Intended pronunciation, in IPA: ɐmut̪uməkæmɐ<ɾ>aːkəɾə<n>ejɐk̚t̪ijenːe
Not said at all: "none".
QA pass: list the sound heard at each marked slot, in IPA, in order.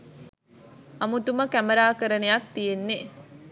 ɾ, n

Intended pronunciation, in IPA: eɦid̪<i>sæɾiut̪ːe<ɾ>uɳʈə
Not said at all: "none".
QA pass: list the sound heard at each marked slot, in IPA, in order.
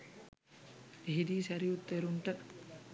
iː, ɾ

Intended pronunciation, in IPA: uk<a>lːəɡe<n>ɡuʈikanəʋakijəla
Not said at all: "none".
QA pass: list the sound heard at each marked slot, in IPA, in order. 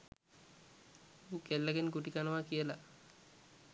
e, n

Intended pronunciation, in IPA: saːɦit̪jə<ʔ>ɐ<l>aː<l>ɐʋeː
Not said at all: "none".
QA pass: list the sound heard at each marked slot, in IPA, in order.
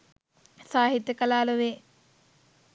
k, l, l

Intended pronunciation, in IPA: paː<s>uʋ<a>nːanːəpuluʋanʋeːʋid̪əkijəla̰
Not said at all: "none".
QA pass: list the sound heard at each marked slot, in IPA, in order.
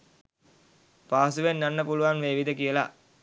s, e

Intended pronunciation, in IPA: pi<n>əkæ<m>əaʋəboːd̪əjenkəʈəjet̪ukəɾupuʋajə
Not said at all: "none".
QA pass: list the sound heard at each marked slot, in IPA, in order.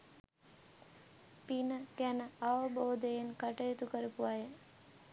n, n

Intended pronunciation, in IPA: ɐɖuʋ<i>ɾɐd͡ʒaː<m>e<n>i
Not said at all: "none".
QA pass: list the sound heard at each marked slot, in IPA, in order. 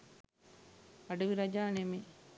i, n, m

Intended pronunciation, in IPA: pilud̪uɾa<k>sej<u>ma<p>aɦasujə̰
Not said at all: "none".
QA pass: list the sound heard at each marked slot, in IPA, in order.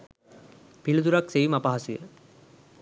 k, u, p

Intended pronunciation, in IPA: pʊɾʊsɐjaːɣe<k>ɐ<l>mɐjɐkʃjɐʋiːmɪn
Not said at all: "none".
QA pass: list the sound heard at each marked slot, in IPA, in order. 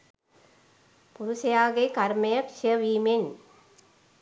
k, ɾ

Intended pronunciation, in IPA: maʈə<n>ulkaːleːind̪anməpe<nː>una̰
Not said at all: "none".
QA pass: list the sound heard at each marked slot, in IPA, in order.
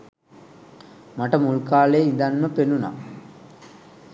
m, n

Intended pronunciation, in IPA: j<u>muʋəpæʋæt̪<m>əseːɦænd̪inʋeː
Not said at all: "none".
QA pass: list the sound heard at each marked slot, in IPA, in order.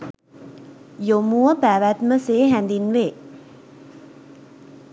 o, m

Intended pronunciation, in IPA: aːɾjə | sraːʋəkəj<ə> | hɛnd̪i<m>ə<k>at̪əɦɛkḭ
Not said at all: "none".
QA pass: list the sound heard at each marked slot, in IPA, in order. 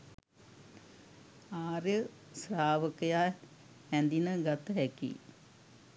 a, n, ɡ

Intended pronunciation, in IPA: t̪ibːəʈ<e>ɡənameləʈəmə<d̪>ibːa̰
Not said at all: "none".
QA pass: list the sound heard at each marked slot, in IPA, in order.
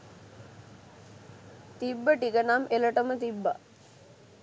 i, t̪

